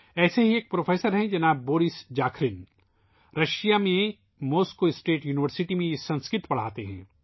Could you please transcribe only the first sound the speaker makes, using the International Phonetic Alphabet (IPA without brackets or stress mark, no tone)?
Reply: ɛː